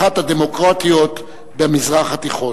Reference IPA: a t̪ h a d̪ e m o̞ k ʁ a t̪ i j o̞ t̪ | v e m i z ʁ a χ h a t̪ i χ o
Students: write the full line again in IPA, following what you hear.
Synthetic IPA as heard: a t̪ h a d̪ e m o̞ k ʁ a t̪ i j o̞ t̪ | b e m i z ʁ a χ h a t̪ i χ o